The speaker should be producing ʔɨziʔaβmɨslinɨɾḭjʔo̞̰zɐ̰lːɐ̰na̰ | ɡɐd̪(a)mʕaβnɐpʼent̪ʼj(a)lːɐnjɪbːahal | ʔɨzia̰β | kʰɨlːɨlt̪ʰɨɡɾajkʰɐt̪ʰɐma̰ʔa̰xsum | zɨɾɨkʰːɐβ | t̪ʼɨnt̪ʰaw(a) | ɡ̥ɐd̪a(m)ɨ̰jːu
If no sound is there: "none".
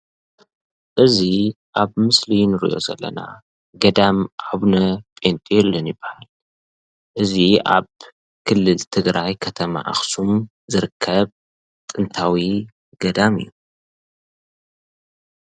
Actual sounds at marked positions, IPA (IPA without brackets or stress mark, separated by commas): a, ɛ, i, m